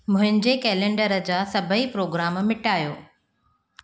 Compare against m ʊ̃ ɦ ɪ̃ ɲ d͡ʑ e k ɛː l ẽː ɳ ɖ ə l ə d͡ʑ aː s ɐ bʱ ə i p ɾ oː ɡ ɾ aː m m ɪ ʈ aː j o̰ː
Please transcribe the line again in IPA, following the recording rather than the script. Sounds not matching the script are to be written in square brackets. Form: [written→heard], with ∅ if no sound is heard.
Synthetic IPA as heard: m ʊ̃ ɦ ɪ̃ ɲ d͡ʑ e k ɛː l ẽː ɳ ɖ ə [l→ɾ] ə d͡ʑ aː s ɐ bʱ ə i p ɾ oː ɡ ɾ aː m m ɪ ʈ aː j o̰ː